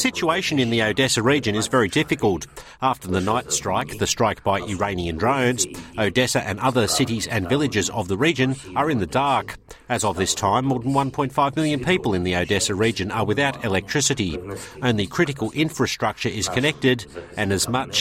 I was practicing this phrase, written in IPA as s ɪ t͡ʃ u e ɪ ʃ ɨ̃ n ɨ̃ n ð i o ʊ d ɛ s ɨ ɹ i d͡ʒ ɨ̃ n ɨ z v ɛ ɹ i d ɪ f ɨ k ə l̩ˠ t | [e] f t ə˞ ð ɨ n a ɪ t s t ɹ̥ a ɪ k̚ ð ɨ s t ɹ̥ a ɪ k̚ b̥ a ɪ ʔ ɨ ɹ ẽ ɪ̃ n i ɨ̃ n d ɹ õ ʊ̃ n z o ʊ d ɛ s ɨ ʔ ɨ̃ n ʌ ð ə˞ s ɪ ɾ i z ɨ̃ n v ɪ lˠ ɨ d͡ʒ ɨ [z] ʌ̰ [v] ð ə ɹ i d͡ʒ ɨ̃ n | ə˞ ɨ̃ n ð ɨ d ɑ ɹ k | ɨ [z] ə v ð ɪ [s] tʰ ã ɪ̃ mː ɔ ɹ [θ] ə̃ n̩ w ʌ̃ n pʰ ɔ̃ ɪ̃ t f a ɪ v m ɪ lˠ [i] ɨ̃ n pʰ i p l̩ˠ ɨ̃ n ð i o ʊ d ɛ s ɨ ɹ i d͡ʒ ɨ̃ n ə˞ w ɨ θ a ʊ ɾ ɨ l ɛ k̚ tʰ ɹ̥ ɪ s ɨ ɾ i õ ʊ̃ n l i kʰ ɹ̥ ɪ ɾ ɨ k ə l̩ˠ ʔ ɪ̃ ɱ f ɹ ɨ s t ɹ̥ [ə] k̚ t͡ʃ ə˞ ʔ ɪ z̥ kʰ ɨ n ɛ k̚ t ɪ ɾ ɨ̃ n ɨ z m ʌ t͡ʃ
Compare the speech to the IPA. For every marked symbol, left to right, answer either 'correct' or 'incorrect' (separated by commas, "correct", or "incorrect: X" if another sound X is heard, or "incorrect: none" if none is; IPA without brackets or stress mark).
incorrect: æ, correct, correct, correct, correct, incorrect: ð, incorrect: j, incorrect: ʌ